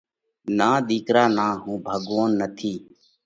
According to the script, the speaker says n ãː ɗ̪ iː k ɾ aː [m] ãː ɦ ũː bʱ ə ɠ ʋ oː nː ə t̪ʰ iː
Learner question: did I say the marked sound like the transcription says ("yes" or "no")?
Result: no